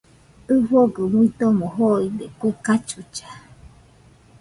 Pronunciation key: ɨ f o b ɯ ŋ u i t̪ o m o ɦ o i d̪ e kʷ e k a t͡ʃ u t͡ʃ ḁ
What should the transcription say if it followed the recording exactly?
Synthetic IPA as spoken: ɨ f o ɡ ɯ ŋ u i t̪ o m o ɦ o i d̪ e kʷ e k a t͡ʃ u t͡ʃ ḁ